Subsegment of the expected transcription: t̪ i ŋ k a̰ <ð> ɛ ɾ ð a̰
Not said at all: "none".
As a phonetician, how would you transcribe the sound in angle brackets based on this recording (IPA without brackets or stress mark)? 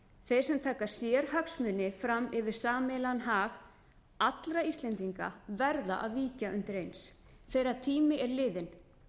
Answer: v